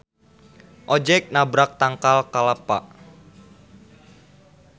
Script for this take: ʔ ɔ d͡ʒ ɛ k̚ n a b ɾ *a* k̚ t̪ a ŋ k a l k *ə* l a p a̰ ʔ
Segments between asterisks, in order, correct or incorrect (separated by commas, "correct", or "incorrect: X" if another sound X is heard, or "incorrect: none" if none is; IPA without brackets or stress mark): correct, incorrect: a